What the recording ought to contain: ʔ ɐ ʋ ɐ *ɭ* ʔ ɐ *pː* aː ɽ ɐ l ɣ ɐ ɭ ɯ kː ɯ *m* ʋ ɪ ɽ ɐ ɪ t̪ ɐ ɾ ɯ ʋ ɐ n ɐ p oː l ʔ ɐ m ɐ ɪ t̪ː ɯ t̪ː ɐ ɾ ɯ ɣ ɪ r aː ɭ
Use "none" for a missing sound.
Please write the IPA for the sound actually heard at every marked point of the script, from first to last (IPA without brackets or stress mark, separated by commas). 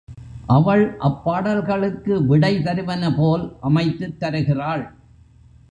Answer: ɭ, pː, none